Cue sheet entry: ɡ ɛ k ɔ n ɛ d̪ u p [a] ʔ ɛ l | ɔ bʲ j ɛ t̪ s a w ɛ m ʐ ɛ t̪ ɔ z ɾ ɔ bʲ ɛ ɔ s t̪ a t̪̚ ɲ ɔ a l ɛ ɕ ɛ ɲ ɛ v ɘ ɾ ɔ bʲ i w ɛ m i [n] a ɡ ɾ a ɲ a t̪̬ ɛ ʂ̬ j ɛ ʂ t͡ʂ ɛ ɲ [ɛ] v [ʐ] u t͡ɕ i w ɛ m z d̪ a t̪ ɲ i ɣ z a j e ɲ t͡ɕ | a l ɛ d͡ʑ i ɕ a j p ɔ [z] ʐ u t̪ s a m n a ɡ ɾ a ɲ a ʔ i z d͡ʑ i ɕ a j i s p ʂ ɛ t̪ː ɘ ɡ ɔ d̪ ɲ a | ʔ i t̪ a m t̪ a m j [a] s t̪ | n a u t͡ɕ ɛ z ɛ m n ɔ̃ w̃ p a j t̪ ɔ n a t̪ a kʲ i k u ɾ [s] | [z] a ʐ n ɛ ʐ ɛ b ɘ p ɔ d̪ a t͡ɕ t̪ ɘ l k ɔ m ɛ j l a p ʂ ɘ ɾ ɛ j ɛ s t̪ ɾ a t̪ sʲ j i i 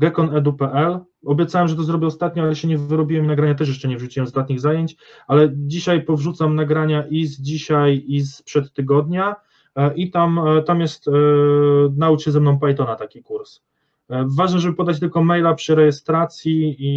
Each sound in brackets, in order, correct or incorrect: incorrect: ɛ, correct, correct, correct, incorrect: v, incorrect: ɛ, correct, incorrect: v

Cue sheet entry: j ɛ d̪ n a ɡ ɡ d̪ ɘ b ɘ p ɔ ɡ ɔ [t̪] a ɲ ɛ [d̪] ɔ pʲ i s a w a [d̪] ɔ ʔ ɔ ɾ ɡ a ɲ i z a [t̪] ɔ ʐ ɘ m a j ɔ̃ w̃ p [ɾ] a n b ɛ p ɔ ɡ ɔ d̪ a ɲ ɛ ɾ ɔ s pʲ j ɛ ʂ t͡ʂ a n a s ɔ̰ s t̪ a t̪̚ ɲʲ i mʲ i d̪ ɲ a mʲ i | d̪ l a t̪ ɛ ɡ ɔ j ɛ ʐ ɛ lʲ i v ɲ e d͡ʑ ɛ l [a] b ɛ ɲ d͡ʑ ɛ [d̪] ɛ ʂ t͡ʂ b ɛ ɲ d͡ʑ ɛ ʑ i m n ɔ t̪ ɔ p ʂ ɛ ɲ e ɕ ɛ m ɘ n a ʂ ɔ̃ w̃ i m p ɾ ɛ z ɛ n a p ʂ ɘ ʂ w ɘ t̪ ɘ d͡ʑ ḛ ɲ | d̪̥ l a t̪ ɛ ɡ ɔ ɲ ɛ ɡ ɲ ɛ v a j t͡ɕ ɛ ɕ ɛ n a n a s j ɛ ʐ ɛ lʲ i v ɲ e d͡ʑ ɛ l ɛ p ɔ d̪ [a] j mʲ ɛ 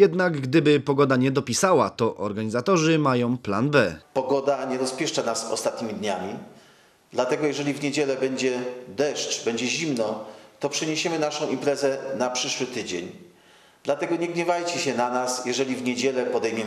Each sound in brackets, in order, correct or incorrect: incorrect: d̪, correct, incorrect: t̪, correct, incorrect: l, incorrect: ɛ, correct, incorrect: ɛ

